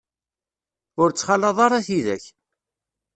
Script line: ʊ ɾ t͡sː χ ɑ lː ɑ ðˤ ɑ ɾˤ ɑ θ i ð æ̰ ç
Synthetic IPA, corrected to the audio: ʊ ɾ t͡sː χ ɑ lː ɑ ðˤ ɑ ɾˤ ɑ θ i ð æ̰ ç